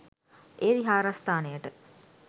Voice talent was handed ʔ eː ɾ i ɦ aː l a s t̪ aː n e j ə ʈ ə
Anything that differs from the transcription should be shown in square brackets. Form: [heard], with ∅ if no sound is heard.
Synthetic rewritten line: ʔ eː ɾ i ɦ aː [ɾ] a s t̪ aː n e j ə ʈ ə